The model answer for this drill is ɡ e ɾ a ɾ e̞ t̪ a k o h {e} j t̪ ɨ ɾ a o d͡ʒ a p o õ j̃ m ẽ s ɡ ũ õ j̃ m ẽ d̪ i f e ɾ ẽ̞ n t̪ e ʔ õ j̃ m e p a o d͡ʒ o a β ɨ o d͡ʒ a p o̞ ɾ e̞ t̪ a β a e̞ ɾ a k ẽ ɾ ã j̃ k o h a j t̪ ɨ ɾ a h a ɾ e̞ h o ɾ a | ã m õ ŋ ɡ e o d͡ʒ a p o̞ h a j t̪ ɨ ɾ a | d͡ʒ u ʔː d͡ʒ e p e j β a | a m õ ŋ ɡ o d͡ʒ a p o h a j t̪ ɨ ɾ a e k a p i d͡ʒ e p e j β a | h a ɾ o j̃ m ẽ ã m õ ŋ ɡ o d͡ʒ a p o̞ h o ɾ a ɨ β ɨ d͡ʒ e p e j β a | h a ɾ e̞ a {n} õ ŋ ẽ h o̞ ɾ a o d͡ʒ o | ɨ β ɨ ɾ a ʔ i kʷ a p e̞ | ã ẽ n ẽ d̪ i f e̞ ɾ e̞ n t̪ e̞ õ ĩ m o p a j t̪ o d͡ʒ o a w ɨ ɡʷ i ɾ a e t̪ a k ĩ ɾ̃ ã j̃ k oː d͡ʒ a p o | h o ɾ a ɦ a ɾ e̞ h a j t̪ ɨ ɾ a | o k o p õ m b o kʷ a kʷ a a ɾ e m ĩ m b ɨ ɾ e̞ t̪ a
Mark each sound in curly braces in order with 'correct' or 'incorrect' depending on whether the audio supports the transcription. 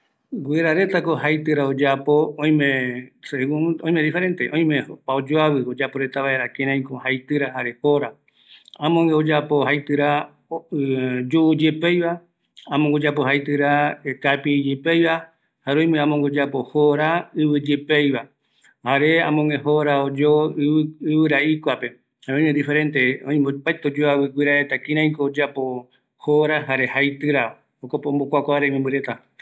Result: incorrect, incorrect

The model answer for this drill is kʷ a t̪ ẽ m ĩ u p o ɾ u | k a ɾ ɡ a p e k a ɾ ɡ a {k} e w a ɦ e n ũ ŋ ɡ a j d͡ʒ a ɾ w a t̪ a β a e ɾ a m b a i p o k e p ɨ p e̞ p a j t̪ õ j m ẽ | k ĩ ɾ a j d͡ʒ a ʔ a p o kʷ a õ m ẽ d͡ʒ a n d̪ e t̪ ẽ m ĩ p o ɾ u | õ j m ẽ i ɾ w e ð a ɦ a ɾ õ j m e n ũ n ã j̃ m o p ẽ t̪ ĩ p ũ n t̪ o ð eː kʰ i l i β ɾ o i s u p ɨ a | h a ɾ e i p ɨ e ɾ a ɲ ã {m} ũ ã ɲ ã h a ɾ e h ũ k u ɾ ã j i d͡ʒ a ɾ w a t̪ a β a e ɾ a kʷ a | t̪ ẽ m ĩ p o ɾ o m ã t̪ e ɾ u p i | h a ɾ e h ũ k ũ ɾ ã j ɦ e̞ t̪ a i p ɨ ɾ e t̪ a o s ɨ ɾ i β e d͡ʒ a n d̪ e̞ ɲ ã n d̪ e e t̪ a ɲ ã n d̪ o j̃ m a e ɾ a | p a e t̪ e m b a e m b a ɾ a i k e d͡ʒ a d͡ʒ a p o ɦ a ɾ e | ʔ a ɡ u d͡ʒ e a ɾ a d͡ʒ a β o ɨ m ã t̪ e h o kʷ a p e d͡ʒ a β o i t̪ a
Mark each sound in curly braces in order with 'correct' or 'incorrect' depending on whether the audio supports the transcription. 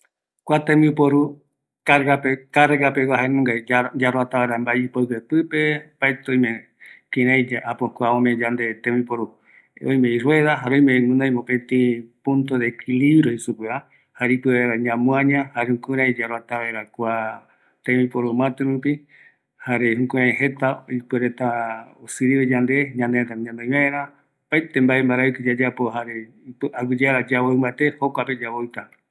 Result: incorrect, correct

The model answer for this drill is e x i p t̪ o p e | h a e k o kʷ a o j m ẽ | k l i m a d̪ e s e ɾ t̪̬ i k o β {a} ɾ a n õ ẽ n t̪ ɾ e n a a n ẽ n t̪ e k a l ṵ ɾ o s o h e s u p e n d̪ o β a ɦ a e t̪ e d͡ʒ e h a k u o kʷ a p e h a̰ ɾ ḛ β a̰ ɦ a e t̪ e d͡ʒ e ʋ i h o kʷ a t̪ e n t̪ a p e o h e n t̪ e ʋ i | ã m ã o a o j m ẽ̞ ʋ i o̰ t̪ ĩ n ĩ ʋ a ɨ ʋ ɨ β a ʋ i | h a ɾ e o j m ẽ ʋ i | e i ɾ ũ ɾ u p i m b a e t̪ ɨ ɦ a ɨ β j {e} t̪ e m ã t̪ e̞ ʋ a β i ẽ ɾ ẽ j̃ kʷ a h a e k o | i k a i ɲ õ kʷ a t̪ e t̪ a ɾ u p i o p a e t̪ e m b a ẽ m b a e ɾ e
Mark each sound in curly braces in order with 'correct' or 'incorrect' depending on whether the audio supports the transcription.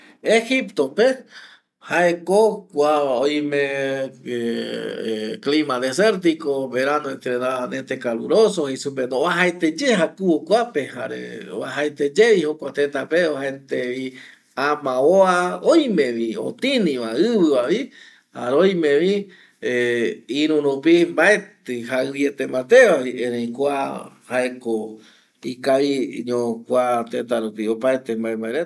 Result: incorrect, correct

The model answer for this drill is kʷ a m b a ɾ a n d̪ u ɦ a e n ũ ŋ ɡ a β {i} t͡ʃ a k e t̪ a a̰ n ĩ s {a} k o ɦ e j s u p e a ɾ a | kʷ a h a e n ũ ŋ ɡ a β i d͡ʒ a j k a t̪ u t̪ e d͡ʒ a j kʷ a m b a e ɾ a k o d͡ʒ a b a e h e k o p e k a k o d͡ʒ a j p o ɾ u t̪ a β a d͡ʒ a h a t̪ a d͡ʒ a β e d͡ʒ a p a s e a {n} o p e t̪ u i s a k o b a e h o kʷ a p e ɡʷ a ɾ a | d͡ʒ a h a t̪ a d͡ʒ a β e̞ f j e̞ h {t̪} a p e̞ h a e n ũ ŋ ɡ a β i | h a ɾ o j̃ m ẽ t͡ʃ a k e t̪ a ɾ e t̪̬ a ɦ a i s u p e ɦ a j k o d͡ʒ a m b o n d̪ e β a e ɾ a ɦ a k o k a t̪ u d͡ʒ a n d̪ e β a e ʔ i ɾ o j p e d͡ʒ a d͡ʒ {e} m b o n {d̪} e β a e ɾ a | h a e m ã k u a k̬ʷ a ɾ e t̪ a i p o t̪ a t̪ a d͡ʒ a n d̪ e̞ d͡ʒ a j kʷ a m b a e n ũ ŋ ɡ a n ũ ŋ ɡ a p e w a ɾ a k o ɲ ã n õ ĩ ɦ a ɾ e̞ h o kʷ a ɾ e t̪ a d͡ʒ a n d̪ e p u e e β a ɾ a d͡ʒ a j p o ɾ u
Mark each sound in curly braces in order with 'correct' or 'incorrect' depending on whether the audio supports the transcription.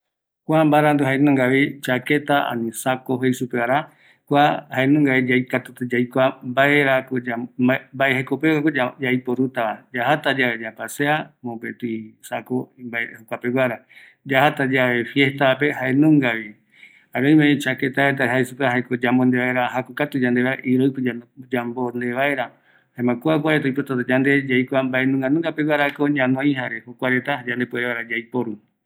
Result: correct, correct, incorrect, correct, incorrect, correct

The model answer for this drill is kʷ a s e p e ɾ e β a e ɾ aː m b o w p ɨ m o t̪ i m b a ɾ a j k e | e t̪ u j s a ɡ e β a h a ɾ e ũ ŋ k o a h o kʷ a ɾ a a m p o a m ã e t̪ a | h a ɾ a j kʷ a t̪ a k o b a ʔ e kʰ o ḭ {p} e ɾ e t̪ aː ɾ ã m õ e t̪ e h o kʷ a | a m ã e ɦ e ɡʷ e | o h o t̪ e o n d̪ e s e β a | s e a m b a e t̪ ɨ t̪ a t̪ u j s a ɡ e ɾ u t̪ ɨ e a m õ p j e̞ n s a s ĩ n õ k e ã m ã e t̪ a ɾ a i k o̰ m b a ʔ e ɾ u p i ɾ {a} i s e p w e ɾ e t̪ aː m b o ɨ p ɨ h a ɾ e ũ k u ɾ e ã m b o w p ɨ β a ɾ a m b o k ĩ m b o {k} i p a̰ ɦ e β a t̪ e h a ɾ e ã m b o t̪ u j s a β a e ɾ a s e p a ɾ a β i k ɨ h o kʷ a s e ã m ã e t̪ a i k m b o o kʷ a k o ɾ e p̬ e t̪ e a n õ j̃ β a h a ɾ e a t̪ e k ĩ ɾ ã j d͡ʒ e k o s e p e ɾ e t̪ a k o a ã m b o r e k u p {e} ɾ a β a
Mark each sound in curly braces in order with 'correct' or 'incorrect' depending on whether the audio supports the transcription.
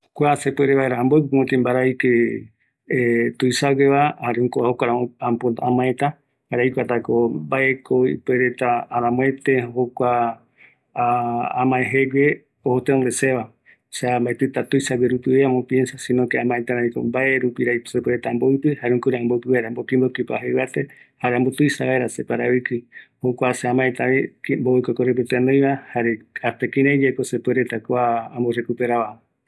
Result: correct, correct, correct, correct

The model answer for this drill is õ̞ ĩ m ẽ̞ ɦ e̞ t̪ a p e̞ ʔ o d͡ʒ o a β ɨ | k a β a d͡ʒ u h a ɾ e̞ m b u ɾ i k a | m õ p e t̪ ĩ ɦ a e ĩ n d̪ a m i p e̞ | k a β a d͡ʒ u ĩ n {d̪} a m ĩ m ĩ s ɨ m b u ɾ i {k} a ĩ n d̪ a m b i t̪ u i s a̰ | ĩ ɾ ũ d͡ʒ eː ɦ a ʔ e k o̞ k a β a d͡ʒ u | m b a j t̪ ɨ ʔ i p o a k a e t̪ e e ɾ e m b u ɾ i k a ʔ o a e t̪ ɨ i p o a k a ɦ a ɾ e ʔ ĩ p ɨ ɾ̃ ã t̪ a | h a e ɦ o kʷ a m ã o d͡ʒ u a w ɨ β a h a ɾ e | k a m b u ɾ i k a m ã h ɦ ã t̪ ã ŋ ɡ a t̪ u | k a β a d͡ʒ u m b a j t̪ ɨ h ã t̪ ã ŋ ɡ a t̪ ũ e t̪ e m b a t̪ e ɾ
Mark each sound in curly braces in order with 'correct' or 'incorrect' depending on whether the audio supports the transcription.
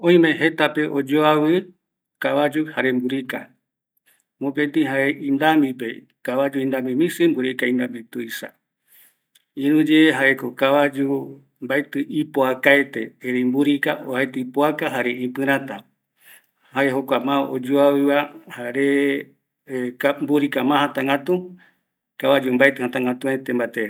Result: correct, correct

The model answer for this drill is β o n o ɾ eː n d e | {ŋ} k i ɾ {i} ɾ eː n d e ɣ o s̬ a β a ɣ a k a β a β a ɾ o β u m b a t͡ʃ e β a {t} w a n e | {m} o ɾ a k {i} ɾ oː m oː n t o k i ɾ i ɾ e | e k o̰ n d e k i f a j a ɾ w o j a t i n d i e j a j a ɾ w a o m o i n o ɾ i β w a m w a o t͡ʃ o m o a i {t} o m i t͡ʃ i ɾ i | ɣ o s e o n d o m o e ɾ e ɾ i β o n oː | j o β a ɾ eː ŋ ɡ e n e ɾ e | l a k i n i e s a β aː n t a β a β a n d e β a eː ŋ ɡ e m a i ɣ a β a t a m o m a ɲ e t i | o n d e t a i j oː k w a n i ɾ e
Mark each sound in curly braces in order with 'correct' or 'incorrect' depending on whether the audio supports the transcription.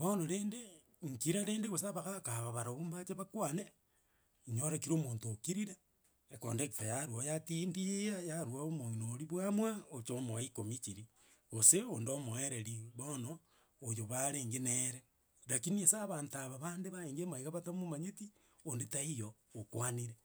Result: correct, incorrect, incorrect, incorrect, correct, incorrect

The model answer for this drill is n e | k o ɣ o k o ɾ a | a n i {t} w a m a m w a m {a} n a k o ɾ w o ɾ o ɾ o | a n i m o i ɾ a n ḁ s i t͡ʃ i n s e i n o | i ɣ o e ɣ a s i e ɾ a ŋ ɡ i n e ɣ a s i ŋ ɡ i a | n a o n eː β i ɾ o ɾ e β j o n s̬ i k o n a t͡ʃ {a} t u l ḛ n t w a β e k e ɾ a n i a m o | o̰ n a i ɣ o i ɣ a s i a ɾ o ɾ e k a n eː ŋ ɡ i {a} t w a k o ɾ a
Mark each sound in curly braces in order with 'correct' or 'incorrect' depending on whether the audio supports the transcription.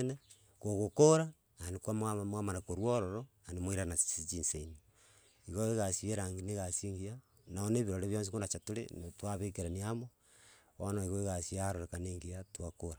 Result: incorrect, correct, correct, correct

